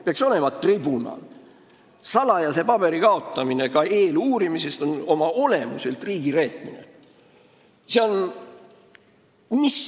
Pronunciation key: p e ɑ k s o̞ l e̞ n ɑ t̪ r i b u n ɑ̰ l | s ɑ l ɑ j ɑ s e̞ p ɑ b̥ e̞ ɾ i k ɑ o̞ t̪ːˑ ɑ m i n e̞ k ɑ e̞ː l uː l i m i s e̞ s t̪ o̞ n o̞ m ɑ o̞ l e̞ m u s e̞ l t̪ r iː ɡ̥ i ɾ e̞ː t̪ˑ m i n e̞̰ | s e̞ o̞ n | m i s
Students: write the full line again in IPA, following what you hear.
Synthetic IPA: p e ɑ k s o̞ l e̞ m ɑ t̪ r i b u n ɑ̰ l | s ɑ l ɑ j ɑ s e̞ p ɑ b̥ e̞ ɾ i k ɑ o̞ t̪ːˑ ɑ m i n e̞ k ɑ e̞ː l uː ɾ i m i s e̞ s t̪ o̞ n o̞ m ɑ o̞ l e̞ m u s e̞ l t̪ r iː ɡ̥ i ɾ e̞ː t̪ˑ m i n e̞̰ | s e̞ o̞ n | m i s